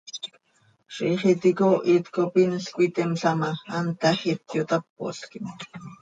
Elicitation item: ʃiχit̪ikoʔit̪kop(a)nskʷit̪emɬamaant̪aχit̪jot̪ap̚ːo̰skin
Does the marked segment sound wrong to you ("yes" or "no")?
yes